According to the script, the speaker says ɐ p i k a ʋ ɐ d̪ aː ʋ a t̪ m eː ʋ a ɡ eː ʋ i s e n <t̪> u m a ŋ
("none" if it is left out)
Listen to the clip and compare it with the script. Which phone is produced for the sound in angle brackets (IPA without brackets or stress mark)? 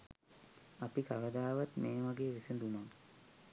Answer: d̪